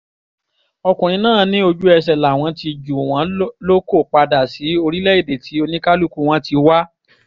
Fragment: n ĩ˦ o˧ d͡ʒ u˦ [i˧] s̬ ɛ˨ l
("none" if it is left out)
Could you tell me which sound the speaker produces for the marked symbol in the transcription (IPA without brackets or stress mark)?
ɛ˧